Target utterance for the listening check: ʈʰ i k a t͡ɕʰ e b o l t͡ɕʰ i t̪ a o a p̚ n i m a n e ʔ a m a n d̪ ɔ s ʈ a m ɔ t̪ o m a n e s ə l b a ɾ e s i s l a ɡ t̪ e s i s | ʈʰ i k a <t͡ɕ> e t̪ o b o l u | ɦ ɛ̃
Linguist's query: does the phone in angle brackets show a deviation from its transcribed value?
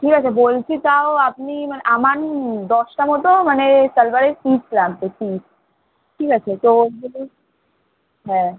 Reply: yes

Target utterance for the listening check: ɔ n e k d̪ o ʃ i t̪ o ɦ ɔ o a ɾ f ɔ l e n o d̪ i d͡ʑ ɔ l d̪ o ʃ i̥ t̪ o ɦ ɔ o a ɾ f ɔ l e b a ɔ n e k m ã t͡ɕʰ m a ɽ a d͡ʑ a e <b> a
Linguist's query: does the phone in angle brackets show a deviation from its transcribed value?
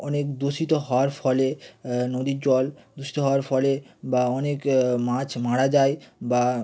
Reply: no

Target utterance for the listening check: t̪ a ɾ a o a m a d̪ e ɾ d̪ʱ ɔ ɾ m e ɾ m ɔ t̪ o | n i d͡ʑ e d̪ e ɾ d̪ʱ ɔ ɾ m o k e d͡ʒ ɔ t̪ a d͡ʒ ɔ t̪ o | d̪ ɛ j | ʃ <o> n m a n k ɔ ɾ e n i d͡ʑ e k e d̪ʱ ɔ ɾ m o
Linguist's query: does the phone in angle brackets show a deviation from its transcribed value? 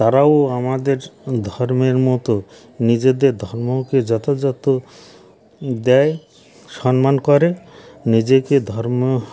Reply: yes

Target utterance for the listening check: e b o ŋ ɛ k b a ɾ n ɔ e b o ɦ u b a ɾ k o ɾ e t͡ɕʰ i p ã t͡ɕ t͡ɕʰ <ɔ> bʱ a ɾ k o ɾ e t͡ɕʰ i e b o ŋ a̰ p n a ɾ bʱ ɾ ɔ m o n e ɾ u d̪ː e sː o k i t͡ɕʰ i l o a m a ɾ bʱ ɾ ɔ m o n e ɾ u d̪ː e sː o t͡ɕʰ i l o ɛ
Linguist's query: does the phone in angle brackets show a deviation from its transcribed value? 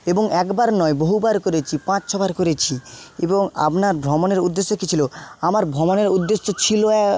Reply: no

